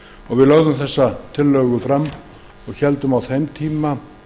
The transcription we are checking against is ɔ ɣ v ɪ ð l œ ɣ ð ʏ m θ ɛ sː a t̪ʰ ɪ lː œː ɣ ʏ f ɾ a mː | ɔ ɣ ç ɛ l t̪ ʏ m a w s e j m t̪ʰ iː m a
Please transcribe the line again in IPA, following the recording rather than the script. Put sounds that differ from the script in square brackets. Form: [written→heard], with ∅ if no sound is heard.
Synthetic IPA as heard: ɔ ɣ v ɪ ð l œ ɣ ð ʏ m θ ɛ sː a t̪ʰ ɪ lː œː ɣ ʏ f ɾ a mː | ɔ ɣ ç ɛ l t̪ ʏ m a w [s→θ] e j m t̪ʰ iː m a